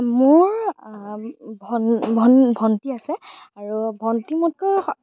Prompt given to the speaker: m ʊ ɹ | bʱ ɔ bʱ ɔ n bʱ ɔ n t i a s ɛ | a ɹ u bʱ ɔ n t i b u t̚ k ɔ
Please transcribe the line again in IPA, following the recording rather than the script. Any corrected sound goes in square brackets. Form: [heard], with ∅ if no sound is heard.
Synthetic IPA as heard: m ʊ ɹ | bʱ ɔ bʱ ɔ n bʱ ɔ n t i a s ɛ | a ɹ u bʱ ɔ n t i [m] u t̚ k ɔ